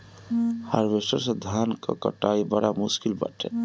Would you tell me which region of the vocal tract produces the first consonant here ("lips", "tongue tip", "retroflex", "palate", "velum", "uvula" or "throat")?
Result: throat